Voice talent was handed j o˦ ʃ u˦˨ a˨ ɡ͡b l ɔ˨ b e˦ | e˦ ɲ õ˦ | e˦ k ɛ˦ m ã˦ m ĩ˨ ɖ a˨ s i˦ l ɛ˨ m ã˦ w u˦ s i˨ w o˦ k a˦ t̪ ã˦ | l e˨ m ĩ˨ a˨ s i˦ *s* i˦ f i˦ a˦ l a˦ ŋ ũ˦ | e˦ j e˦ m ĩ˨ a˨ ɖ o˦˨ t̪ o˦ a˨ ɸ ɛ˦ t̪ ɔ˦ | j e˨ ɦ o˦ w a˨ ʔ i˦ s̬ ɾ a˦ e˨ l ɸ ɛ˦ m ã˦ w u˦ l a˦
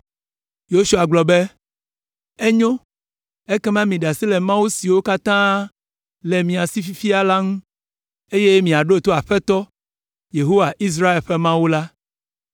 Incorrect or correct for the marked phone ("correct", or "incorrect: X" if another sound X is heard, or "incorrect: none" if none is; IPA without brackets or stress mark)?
incorrect: f